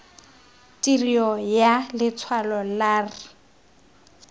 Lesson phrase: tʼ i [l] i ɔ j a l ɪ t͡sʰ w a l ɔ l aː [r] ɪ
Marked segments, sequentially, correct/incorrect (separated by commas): incorrect, correct